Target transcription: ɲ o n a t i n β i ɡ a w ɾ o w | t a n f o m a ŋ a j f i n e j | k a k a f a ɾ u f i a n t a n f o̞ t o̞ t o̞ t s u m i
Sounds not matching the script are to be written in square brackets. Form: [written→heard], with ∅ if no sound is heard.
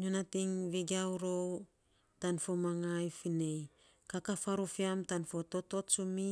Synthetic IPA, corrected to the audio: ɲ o n a t i [n→ŋ] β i ɡ a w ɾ o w | t a n f o m a ŋ a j f i n e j | k a k a f a ɾ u f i a [n→m] t a n f o̞ t o̞ t o̞ t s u m i